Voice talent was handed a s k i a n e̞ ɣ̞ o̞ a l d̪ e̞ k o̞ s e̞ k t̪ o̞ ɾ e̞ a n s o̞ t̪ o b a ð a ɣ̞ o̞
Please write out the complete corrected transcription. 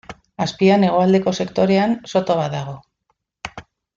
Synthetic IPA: a s p i a n e̞ ɣ̞ o̞ a l d̪ e̞ k o̞ s e̞ k t̪ o̞ ɾ e̞ a n s o̞ t̪ o β a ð a ɣ̞ o̞